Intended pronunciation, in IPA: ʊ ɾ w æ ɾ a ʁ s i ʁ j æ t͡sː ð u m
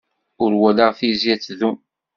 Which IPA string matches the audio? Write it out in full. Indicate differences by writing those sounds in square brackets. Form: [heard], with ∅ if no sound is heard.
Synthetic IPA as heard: ʊ ɾ w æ [l] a ʁ [θ] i [z] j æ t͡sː ð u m